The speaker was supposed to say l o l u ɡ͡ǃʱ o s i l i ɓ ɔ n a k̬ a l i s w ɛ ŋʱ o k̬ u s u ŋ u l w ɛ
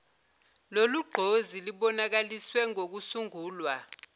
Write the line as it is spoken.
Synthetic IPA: l o l u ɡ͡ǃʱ o z i l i ɓ ɔ n a k̬ a l i s w ɛ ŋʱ o k̬ u s u ŋ uː l w a